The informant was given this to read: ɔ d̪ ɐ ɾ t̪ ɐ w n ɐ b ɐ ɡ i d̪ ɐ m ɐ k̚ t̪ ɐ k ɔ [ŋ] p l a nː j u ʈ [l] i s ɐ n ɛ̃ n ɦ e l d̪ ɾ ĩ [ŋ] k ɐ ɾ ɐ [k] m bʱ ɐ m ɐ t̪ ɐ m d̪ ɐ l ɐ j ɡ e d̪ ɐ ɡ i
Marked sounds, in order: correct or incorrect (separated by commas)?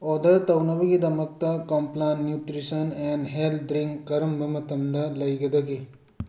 incorrect, incorrect, correct, incorrect